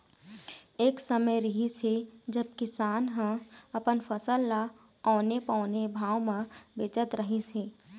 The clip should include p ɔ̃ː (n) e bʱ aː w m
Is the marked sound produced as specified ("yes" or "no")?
yes